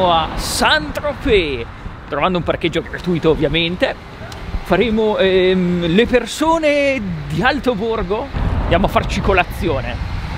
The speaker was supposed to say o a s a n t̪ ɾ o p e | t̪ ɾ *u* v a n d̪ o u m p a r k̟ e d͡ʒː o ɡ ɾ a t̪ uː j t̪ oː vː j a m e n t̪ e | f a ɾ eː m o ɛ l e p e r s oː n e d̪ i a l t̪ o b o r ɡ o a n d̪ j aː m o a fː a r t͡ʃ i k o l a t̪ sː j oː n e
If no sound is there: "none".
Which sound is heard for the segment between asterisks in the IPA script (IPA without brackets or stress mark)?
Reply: o